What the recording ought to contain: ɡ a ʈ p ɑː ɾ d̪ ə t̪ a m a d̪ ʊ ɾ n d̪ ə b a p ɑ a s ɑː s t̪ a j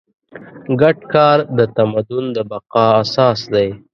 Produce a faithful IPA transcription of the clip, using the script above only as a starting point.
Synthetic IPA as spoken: ɡ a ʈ k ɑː ɾ d̪ ə t̪ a m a d̪ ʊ n d̪ ə b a q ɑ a s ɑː s d̪ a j